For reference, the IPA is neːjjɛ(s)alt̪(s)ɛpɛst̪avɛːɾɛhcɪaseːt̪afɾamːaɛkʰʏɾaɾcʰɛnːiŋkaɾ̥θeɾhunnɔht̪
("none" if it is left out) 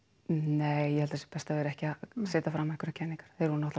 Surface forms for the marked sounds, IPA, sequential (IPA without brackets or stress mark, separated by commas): h, s